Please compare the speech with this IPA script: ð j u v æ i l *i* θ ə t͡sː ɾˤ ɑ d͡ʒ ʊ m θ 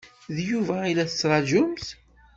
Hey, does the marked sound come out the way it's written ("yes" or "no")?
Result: no